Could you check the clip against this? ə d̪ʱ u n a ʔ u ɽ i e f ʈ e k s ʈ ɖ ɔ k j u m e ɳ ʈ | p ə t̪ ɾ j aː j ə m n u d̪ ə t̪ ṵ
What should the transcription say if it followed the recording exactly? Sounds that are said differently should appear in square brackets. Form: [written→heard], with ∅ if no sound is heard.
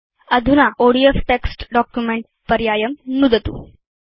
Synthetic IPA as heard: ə d̪ʱ u n a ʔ [u→o] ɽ i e f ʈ e k s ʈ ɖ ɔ k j u m e ɳ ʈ | p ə [t̪→∅] ɾ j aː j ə m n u d̪ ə t̪ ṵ